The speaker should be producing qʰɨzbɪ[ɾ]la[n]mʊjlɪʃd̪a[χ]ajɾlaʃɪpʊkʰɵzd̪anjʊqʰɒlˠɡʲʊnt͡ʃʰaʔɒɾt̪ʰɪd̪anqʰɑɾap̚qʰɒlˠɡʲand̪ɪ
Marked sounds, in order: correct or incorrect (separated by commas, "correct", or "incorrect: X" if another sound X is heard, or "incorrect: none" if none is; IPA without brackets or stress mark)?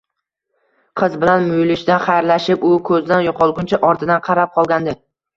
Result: incorrect: none, correct, correct